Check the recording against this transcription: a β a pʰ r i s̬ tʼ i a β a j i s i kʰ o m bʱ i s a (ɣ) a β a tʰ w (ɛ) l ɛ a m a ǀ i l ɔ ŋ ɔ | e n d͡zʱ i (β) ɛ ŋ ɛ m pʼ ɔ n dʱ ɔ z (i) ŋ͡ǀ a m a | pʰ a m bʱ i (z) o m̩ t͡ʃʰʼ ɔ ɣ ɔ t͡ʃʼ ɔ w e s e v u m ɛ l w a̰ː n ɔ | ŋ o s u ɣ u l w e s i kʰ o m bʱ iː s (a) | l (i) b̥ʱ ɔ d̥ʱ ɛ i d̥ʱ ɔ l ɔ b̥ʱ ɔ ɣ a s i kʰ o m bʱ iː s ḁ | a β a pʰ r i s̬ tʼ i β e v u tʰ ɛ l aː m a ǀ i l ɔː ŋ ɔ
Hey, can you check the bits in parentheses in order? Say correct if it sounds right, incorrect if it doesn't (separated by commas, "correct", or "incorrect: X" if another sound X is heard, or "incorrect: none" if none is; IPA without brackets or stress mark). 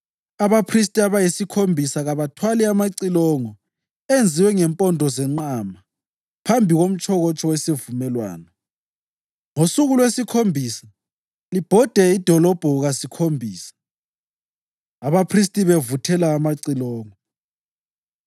correct, incorrect: a, incorrect: w, incorrect: ɛ, incorrect: ɣ, correct, correct